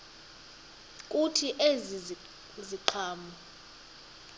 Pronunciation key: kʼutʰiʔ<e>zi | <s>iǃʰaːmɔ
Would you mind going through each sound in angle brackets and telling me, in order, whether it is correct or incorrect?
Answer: correct, incorrect: z

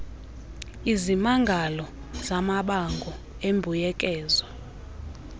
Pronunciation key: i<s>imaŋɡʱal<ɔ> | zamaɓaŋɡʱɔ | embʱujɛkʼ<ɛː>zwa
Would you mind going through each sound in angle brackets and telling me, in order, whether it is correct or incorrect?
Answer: incorrect: z, correct, correct

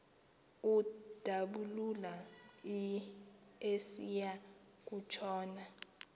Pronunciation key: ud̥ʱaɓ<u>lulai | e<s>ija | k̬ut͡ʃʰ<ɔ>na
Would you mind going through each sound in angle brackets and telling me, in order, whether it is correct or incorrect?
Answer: correct, correct, incorrect: ɔː

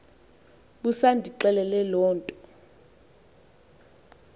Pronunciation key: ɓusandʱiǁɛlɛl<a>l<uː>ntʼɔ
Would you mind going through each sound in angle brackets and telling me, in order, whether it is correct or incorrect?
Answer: incorrect: ɛ, incorrect: ɔː

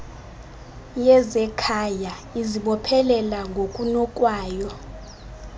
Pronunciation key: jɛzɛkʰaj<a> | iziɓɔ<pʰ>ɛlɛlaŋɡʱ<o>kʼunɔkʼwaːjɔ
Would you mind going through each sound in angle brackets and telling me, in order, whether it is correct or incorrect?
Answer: correct, correct, correct

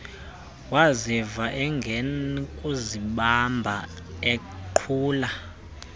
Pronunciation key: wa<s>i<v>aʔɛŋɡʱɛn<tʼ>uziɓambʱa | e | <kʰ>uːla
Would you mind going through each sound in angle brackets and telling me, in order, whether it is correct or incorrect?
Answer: incorrect: z, correct, incorrect: kʼ, incorrect: ǃʰ

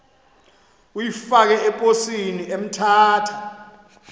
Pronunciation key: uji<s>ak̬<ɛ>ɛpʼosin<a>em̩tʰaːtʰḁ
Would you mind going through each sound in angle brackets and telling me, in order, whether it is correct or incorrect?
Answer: incorrect: f, correct, incorrect: i

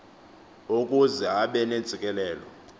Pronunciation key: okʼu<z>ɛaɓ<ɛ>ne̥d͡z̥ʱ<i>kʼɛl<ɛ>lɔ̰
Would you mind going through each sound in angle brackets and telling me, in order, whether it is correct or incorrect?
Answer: correct, correct, correct, incorrect: ɛː

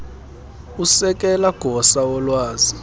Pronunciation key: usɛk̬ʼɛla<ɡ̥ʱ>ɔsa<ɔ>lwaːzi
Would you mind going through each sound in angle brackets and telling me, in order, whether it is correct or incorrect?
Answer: correct, correct

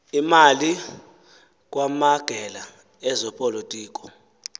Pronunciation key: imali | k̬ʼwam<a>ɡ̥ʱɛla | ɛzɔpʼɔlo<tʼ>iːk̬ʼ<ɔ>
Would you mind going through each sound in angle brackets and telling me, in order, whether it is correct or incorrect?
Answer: correct, correct, correct

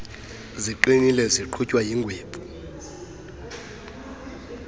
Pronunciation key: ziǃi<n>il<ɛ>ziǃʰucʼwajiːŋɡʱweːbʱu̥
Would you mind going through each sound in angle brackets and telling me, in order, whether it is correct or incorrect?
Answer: correct, correct

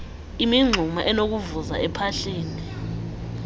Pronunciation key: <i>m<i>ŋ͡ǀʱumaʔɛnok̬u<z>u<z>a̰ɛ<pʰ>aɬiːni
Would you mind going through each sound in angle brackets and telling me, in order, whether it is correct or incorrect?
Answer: correct, correct, incorrect: v, correct, correct

